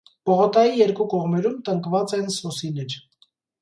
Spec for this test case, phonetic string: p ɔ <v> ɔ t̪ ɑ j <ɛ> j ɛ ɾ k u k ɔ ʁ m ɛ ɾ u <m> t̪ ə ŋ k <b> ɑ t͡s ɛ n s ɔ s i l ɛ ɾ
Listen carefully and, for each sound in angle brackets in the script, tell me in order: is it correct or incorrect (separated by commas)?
incorrect, incorrect, correct, incorrect